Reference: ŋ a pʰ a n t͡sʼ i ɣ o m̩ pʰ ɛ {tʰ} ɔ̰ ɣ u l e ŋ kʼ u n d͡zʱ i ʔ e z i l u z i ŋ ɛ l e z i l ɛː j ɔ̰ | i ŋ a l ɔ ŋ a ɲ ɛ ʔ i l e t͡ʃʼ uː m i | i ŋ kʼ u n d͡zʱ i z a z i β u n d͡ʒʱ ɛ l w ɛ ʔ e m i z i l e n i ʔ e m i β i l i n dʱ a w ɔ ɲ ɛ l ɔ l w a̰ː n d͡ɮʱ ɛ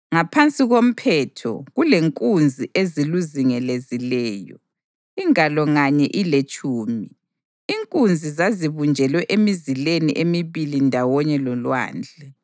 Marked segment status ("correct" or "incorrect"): correct